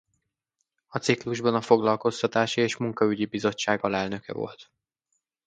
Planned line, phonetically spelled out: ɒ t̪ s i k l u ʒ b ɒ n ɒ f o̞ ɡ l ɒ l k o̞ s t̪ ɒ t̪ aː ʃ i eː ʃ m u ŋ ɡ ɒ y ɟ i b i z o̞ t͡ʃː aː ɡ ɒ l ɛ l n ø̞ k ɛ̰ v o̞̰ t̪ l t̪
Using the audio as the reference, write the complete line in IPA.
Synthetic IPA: ɒ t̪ s i k l u ʒ b ɒ n ɒ f o̞ ɡ l ɒ l k o̞ s t̪ ɒ t̪ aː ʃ i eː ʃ m u ŋ k ɒ y ɟ i b i z o̞ t͡ʃː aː ɡ ɒ l ɛ l n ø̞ k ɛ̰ v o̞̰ l t̪